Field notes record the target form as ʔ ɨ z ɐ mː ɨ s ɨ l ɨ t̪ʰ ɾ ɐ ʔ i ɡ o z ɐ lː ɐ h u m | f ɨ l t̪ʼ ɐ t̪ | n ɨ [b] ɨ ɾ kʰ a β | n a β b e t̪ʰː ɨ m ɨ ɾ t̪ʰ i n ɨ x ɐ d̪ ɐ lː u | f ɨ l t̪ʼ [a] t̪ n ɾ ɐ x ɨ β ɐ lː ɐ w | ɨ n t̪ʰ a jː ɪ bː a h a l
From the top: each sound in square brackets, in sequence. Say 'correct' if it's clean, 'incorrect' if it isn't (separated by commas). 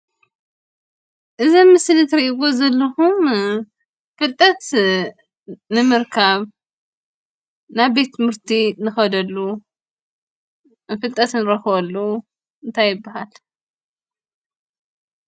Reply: incorrect, incorrect